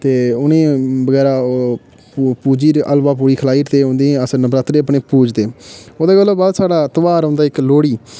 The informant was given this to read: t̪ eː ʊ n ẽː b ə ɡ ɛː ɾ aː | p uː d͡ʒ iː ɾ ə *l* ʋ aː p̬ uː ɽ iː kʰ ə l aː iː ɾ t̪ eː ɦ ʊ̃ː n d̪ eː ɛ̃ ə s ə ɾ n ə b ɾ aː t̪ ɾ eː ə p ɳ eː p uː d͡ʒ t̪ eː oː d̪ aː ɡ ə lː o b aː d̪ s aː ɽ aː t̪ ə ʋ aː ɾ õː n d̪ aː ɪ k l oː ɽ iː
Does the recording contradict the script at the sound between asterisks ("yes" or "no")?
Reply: no